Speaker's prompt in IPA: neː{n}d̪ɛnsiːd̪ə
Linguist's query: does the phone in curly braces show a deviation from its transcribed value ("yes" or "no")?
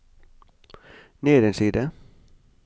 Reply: yes